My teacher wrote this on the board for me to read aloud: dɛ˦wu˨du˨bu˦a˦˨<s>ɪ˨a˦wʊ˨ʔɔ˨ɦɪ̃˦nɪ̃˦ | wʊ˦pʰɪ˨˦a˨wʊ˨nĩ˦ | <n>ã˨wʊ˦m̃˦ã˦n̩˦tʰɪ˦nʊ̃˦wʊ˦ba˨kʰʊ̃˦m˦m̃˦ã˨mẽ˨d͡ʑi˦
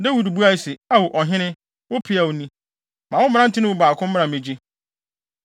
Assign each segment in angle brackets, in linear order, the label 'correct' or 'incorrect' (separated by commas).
correct, incorrect